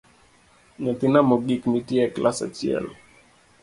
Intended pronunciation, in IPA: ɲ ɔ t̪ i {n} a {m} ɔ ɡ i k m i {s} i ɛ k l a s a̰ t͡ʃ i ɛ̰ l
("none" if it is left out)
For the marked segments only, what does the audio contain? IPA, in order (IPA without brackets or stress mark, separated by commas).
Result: n, m, t